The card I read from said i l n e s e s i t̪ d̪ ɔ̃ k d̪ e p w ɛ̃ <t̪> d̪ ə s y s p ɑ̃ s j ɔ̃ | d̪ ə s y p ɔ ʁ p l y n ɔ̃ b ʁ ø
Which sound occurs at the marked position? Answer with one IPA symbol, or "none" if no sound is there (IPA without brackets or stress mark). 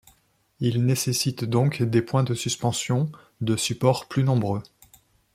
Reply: none